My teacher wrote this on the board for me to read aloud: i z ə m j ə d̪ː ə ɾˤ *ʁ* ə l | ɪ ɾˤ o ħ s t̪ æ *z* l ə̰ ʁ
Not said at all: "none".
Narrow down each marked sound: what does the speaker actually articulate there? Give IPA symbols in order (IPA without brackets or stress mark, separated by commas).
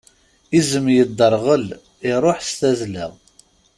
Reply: ʁ, z